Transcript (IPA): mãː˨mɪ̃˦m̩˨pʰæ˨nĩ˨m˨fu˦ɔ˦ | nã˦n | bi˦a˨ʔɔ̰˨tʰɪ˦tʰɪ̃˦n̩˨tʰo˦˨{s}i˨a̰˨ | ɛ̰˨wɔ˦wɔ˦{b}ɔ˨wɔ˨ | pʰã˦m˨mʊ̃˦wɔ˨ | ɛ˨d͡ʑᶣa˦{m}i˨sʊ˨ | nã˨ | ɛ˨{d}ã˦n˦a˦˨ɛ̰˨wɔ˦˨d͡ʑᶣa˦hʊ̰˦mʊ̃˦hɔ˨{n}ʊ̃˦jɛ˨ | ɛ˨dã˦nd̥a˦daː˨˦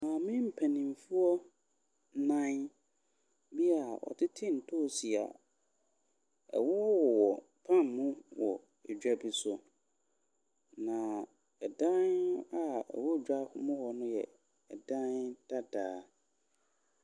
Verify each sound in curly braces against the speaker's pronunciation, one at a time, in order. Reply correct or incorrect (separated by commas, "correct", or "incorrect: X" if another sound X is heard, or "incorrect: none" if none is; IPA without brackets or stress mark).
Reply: correct, incorrect: w, incorrect: b, correct, correct